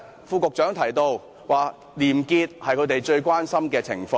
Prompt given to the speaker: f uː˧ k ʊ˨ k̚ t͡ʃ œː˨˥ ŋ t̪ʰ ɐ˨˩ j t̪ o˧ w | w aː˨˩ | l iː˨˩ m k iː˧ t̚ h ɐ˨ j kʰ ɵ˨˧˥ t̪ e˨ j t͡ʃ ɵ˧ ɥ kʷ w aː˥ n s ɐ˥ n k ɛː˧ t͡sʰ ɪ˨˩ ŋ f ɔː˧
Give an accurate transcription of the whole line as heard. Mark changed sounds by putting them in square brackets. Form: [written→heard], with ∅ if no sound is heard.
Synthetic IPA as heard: f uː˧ k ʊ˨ k̚ t͡ʃ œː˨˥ ŋ t̪ʰ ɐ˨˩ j t̪ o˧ w | w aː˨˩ | l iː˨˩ m k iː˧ t̚ h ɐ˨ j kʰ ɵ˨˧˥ t̪ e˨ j t͡ʃ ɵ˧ ɥ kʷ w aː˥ n s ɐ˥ [n→m] k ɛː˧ t͡sʰ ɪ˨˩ ŋ f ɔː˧